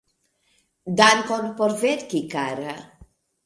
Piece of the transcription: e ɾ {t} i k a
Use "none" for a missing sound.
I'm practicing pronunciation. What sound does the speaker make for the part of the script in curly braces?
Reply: k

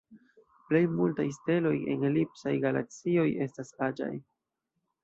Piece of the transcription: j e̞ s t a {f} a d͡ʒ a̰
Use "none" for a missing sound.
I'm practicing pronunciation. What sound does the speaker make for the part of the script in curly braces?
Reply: s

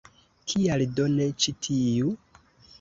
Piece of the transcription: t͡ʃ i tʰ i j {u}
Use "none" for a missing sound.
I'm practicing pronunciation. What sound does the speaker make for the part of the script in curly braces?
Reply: u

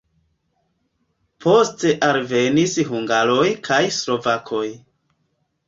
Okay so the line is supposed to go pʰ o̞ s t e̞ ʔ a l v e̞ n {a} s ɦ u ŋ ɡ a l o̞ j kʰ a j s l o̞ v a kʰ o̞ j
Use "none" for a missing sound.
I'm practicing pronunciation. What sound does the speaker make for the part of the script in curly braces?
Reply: i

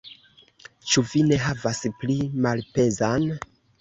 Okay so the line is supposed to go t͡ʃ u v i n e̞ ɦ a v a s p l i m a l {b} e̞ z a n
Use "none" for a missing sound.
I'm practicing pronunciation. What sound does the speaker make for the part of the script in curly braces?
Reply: p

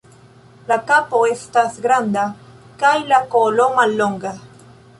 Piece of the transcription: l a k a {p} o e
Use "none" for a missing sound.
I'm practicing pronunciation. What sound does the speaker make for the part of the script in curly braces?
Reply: p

